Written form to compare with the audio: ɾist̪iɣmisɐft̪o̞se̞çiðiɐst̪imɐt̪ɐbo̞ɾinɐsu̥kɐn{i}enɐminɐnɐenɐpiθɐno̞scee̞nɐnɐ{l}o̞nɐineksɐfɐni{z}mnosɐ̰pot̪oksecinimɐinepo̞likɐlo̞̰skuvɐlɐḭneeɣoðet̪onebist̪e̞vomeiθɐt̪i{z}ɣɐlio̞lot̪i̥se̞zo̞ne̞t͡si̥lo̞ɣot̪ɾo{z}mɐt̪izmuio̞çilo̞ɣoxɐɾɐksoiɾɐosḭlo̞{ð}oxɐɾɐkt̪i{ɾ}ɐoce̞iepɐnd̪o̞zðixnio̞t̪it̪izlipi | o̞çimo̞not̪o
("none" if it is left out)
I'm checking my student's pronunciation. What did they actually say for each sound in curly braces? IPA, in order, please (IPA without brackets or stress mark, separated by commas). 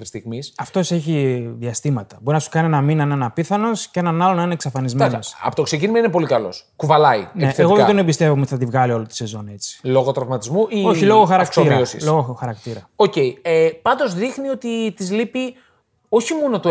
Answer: i, l, z, v, v, ɣ, ɾ